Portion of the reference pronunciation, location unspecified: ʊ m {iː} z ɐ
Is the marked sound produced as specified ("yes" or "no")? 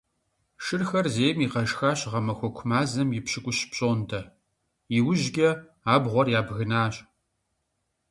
no